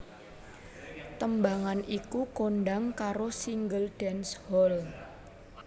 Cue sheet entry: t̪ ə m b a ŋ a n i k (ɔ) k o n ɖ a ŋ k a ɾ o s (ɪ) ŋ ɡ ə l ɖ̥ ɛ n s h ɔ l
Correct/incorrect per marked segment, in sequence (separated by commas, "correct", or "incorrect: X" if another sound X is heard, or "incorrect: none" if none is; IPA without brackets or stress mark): incorrect: u, incorrect: i